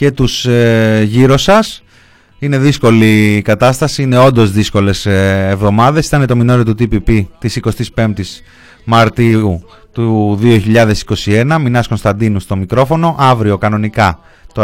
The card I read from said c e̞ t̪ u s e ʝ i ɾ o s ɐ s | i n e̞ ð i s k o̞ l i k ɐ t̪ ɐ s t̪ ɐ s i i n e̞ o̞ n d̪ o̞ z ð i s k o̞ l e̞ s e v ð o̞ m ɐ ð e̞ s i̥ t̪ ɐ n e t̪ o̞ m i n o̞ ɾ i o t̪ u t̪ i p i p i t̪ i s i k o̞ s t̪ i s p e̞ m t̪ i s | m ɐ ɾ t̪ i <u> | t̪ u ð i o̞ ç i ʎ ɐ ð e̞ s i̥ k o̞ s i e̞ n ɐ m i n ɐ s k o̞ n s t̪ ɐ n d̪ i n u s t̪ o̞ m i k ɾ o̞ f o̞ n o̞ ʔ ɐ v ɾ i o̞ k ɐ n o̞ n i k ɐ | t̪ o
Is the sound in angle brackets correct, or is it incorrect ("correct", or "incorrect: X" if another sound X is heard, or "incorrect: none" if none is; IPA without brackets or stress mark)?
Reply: correct